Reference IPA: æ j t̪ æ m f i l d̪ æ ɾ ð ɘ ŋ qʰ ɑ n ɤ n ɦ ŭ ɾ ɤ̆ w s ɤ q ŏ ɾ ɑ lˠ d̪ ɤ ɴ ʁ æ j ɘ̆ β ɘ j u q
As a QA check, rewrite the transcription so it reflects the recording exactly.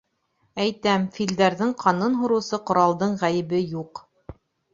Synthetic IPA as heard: æ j t̪ æ m f i l d̪ æ ɾ ð ɘ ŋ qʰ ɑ n ɤ n ɦ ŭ ɾ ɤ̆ w s ɤ q ŏ ɾ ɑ lˠ d̪ ɤ ɴ ʁ æ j ɘ̆ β ɘ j u q